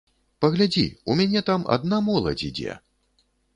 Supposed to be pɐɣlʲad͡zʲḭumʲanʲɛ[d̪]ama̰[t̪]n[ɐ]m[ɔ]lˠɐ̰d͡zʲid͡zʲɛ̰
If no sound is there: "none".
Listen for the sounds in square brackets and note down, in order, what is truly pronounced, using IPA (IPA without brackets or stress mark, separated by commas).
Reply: t̪, d̪, a, ɔ